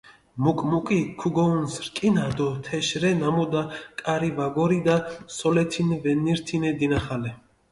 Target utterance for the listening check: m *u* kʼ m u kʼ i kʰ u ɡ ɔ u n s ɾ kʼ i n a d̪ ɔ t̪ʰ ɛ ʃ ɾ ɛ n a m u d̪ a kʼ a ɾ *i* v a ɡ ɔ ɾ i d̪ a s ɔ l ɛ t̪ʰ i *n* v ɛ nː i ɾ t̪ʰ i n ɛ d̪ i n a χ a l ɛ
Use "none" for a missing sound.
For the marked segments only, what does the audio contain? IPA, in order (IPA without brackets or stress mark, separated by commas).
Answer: u, i, n